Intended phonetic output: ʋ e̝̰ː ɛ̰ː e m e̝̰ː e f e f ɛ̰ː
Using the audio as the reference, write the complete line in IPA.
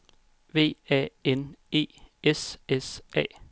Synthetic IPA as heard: ʋ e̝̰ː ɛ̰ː e n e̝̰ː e s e s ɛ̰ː